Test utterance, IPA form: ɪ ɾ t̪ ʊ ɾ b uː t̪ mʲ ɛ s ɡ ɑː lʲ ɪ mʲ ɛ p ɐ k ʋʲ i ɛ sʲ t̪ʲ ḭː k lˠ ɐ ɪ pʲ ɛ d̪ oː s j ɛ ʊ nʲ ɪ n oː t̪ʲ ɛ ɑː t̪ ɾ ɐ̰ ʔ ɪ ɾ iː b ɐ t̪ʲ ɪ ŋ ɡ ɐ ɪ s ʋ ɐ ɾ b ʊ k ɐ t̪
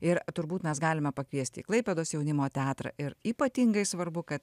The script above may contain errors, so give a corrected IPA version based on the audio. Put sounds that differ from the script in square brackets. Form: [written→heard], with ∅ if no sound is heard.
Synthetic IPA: ɪ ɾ t̪ ʊ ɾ b uː t̪ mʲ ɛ s ɡ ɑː lʲ ɪ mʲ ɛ p ɐ k ʋʲ i ɛ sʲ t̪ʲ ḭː k lˠ ɐ ɪ pʲ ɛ d̪ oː s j ɛ ʊ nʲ ɪ [n→m] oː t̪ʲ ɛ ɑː t̪ ɾ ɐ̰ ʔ ɪ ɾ iː [b→p] ɐ t̪ʲ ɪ ŋ ɡ ɐ ɪ s ʋ ɐ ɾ b ʊ k ɐ t̪